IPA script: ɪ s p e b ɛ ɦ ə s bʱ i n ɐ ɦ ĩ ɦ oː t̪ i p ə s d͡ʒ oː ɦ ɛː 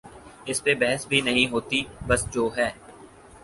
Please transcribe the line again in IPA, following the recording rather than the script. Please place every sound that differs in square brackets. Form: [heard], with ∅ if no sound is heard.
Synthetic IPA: ɪ s p e b ɛ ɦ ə s bʱ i n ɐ ɦ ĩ ɦ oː t̪ i [b] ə s d͡ʒ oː ɦ ɛː